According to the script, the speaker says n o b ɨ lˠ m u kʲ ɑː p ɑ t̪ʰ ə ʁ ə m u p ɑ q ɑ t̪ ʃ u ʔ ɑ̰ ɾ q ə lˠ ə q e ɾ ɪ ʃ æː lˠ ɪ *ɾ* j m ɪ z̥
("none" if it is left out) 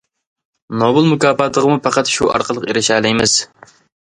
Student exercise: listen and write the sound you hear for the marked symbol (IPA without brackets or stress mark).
none